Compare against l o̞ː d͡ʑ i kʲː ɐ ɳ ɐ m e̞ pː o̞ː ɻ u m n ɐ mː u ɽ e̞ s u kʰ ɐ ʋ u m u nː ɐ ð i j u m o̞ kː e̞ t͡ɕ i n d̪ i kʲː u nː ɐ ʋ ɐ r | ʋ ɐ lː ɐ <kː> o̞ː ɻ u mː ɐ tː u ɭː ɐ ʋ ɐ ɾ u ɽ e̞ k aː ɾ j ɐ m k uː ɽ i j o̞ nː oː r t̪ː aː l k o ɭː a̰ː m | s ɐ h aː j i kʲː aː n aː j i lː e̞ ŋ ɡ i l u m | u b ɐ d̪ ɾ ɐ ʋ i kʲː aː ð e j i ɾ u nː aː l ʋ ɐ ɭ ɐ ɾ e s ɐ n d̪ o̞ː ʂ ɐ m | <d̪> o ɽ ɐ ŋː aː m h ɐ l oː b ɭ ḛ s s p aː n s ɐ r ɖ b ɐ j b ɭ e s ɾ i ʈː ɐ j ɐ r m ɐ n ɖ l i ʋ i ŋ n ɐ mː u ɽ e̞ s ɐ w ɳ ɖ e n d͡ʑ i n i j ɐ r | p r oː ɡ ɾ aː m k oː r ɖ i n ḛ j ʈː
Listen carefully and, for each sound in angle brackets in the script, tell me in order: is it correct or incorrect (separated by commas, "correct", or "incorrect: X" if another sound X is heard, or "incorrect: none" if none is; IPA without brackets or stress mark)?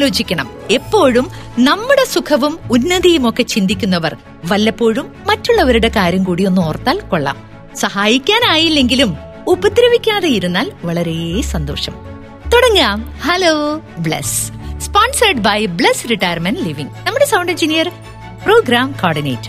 incorrect: pː, incorrect: t̪